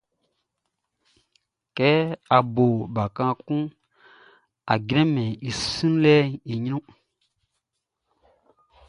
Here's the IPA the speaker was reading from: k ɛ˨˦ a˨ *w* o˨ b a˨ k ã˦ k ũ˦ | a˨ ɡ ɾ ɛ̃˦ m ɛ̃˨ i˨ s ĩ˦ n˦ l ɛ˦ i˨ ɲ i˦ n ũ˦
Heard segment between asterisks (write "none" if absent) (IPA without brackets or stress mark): b